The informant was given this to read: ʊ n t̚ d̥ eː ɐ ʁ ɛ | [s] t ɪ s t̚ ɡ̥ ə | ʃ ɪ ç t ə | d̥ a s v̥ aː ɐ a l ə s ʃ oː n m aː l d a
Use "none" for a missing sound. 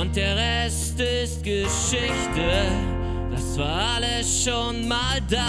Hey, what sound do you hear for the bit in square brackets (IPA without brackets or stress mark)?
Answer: s